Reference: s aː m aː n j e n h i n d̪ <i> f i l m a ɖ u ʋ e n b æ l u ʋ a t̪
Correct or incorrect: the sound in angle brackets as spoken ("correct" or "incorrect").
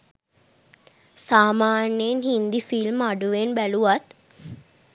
correct